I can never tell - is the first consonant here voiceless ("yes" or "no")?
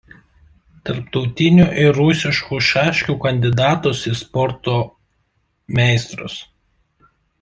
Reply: yes